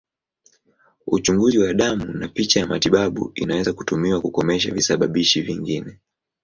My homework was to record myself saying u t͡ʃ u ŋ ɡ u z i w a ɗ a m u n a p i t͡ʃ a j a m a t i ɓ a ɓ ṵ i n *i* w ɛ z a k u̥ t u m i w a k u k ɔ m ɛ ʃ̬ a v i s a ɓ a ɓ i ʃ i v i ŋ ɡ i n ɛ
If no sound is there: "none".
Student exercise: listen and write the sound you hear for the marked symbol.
a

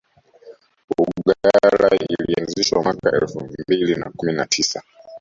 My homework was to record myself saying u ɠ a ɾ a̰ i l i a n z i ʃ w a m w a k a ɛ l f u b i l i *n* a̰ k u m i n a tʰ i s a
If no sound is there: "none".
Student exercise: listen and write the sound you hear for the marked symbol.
n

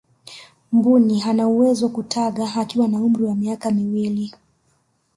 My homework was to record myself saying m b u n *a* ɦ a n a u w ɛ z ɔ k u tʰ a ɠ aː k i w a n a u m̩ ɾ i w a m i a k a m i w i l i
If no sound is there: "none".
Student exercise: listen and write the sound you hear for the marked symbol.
i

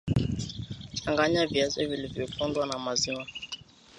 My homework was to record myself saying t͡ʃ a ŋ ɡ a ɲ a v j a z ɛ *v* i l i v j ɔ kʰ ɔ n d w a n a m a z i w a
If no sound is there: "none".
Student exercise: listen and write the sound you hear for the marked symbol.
v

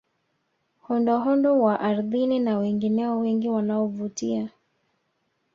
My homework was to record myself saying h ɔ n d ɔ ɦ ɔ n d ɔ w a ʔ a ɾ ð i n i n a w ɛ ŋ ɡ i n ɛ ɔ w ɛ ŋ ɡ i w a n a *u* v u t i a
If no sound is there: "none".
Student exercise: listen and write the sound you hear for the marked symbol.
ɔ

